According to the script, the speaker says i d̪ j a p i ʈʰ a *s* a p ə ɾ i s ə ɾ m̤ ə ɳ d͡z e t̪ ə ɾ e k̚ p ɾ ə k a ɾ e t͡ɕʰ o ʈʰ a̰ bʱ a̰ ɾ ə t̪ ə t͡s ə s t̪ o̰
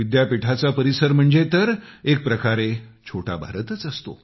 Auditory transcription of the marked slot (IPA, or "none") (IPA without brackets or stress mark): t͡s